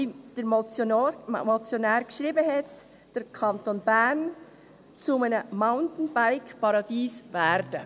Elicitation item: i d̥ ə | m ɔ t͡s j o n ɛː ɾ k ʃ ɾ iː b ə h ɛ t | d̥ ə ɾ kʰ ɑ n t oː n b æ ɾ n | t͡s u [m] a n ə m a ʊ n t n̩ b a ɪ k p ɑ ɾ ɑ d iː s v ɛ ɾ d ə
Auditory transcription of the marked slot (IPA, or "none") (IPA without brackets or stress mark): m